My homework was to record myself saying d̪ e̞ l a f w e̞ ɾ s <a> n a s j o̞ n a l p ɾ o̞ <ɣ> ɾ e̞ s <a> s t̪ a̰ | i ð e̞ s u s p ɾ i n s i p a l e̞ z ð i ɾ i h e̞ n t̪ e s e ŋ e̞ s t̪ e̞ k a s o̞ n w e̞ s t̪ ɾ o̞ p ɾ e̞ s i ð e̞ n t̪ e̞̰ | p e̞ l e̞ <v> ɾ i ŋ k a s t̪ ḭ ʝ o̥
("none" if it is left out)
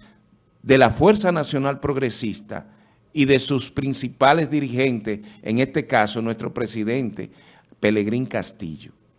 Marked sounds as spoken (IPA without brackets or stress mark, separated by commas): a, ɣ, i, ɣ